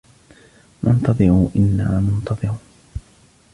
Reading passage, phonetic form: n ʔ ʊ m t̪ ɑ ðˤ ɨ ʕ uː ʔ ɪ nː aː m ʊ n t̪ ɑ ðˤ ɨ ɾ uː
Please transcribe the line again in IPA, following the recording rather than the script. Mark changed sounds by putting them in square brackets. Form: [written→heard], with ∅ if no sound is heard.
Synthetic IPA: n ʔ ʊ [m→n] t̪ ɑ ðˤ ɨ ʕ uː ʔ ɪ nː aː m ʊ n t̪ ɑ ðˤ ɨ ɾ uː